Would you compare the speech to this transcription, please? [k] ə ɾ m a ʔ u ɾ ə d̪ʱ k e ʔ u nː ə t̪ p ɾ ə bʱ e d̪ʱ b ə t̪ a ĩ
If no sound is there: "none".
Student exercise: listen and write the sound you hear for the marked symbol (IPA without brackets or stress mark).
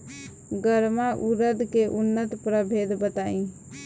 ɡ